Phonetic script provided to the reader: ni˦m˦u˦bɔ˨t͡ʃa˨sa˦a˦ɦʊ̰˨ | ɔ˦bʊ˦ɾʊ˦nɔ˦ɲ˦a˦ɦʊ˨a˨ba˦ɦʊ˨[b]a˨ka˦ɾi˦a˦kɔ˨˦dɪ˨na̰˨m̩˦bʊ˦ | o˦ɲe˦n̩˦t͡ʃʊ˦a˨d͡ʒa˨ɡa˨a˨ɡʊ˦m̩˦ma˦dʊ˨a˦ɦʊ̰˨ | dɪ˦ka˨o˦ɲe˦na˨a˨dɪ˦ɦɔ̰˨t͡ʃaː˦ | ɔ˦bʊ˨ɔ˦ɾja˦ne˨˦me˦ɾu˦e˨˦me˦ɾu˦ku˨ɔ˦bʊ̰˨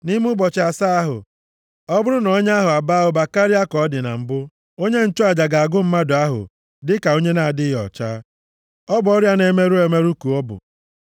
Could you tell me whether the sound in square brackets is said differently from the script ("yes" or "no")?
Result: no